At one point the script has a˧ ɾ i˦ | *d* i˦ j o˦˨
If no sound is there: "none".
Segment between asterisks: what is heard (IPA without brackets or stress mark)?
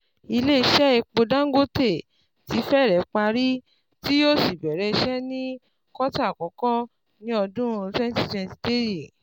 t